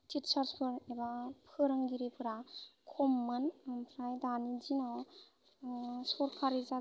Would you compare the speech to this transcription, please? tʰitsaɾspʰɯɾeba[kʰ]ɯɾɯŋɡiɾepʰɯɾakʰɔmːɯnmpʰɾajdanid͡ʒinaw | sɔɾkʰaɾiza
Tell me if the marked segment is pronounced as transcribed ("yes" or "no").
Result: no